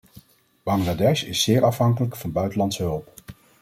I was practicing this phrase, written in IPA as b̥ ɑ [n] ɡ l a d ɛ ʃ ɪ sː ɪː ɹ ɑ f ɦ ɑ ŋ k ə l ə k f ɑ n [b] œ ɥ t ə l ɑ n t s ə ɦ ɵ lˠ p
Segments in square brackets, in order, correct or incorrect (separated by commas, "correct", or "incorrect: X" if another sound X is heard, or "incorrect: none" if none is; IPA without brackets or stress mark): incorrect: ŋ, correct